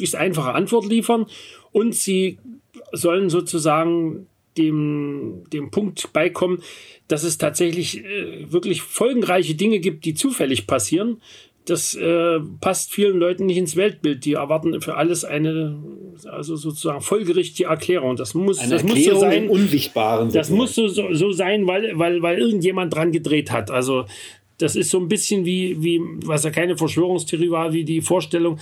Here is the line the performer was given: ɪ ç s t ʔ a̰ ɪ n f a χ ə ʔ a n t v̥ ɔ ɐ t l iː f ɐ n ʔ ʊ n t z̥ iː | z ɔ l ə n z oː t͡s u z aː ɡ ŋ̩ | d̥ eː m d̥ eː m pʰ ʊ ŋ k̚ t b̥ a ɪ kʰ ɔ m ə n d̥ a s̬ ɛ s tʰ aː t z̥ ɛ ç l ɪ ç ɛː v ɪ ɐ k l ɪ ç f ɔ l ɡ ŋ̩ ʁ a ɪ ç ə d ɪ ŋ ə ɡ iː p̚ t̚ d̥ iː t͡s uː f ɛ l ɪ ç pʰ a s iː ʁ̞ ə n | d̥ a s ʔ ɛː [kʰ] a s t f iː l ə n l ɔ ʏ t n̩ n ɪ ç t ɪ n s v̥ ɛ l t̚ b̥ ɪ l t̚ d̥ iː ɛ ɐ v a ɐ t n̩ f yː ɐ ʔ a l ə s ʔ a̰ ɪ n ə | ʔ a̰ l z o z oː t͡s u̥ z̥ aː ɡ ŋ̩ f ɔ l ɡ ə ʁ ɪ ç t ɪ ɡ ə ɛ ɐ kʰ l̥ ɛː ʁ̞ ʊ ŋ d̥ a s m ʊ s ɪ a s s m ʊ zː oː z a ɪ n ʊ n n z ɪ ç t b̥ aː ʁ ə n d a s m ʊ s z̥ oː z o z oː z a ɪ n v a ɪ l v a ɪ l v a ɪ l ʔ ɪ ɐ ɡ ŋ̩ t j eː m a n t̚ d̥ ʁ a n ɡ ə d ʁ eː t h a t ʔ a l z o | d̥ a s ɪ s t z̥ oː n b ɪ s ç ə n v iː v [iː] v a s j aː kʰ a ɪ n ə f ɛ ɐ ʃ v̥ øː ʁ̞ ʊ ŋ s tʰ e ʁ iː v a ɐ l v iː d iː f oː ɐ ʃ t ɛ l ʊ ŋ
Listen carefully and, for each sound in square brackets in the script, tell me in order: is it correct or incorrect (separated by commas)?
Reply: incorrect, correct